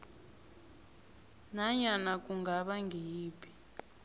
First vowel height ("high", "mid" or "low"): low